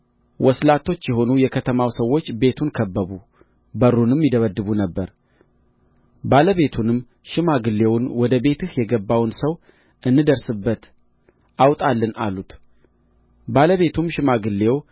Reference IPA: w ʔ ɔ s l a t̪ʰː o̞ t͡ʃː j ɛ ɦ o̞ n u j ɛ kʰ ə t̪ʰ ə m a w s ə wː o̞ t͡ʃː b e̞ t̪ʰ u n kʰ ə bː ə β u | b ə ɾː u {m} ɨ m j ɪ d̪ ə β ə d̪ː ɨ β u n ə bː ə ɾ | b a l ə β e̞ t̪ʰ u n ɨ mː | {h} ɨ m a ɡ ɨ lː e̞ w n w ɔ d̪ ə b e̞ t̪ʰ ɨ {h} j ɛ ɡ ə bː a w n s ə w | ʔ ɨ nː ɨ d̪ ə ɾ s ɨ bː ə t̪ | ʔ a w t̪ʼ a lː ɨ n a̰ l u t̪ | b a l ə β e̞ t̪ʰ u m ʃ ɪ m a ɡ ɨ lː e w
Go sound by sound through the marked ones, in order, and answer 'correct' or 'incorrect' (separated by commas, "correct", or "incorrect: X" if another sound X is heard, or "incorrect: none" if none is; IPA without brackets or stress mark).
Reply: incorrect: n, incorrect: ʃ, correct